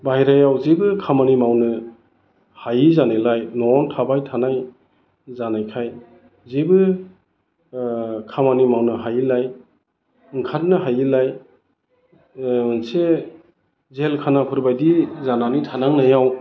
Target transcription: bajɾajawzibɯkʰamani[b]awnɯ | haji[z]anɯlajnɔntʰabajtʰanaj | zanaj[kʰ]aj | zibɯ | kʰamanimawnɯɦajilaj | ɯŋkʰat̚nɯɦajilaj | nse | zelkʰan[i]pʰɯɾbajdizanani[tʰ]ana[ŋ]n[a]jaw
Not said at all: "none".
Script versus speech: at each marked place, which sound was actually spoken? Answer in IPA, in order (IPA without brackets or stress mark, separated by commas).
m, z, kʰ, a, tʰ, ŋ, a